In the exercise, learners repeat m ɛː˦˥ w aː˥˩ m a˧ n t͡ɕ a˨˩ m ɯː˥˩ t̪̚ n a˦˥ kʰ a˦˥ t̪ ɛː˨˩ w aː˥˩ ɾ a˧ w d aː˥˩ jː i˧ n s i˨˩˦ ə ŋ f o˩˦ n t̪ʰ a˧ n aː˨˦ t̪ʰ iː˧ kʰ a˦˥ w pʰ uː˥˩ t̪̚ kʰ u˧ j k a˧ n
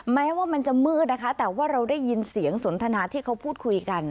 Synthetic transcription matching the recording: m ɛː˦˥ w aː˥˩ m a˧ n t͡ɕ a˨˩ m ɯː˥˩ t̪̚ n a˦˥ kʰ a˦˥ t̪ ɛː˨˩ w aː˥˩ ɾ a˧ w d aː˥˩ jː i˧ n s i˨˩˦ ə ŋ s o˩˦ n t̪ʰ a˧ n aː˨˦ t̪ʰ iː˥˩ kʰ a˦˥ w pʰ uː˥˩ t̪̚ kʰ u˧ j k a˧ n